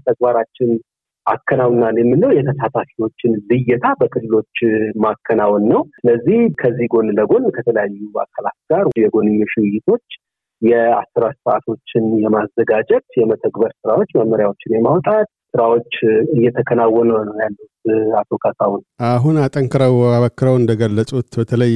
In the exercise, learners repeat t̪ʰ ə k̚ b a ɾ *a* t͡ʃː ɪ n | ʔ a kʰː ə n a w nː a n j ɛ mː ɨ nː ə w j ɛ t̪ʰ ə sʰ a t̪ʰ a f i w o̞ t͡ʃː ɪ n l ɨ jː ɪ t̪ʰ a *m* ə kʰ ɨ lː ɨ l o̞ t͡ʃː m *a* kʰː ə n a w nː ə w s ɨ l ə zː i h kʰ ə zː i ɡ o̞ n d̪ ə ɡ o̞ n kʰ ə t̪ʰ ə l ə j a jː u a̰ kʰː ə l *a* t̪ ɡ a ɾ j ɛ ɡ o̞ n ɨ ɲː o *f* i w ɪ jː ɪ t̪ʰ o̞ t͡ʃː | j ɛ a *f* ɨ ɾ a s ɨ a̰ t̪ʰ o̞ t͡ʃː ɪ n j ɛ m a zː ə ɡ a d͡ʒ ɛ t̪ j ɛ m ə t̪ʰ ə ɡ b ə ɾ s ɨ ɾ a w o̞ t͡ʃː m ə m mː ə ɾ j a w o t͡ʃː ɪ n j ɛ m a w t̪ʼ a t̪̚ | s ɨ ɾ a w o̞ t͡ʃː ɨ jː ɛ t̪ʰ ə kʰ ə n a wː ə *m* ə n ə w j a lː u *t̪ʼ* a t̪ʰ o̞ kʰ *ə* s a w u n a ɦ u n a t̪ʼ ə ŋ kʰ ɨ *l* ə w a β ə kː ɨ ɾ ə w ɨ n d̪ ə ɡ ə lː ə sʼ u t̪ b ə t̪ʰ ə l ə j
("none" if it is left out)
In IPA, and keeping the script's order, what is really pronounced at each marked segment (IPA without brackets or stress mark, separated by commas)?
a, b, a, a, ʃ, s, n, t̪, a, ɾ